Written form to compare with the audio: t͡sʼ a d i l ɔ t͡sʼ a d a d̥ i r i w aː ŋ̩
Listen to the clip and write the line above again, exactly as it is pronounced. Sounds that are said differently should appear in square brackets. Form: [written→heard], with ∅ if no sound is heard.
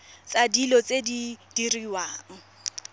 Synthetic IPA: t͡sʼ a d i l ɔ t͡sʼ [a→e] d [a→i] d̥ i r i w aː ŋ̩